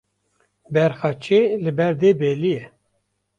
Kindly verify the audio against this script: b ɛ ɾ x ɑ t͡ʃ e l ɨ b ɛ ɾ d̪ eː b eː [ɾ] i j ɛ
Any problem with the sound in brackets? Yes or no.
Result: yes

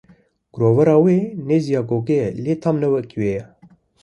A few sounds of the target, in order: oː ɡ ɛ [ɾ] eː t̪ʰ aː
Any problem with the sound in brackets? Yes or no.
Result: yes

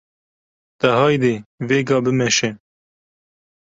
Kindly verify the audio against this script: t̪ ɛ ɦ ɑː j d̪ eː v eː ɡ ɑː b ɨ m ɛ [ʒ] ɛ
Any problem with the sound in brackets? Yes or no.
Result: yes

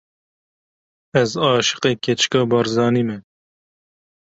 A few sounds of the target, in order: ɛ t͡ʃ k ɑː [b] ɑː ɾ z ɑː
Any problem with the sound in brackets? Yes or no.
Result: no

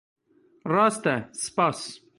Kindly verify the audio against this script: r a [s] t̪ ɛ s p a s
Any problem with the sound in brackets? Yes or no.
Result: no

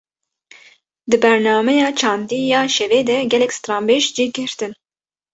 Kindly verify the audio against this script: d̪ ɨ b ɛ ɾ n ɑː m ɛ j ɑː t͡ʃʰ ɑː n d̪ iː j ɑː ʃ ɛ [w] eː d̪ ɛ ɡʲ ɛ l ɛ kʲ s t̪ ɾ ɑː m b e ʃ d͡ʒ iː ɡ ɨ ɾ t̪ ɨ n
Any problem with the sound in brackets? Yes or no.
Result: yes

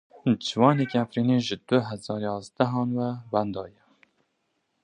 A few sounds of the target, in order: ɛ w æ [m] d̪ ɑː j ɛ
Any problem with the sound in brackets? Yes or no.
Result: yes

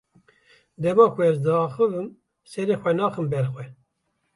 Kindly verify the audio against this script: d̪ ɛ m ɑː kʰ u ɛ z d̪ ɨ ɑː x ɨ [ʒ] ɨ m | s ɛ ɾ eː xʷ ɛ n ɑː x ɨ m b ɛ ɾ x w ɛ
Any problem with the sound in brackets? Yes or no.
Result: yes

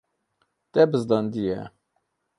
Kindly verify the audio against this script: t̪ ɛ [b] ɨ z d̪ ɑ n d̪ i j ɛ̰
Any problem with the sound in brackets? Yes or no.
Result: no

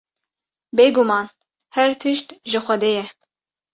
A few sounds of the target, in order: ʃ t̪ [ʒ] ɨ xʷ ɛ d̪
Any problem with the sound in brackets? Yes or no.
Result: no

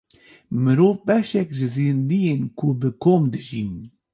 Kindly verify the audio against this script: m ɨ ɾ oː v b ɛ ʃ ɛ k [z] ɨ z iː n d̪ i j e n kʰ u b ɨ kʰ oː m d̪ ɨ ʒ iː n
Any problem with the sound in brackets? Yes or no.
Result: yes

